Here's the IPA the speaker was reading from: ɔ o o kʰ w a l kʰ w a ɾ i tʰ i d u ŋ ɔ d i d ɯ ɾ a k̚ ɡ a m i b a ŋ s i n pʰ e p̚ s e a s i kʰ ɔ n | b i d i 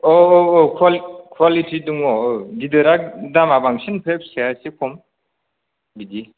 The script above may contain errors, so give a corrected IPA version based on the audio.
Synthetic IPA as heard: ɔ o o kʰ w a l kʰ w a l i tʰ i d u ŋ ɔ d i d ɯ ɾ a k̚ d a m a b a ŋ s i n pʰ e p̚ s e a s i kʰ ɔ m | b i d i